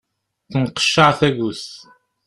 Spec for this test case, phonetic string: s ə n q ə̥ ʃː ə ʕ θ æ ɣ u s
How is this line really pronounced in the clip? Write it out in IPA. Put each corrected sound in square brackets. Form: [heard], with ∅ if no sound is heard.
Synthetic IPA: [θ] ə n q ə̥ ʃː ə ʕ θ æ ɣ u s